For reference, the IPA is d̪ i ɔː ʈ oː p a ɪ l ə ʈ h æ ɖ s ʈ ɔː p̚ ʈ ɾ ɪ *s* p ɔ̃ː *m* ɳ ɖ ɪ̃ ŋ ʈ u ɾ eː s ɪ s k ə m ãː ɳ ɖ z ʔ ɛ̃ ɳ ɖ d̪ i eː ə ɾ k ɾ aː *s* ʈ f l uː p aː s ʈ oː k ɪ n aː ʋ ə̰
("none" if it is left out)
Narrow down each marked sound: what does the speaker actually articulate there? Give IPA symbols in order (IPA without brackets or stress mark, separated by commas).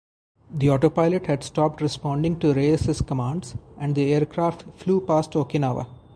s, none, f